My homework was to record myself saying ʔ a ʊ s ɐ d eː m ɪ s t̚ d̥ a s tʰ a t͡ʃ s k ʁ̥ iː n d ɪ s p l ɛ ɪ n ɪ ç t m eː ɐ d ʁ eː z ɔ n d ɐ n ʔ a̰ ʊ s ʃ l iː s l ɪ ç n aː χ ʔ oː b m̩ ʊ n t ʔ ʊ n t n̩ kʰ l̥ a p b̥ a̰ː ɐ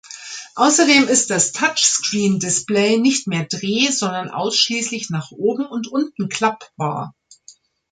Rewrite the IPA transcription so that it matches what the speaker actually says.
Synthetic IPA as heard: ʔ a ʊ s ɐ d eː m ɪ s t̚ d̥ a s tʰ a t͡ʃ s k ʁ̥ iː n d ɪ s p l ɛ ɪ n ɪ ç t m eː ɐ d ʁ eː z ɔ n d ɐ n ʔ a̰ ʊ s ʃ l iː s l ɪ ç n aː χ ʔ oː b m̩ ʊ n t ʔ ʊ n t n̩ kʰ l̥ a p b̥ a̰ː ɐ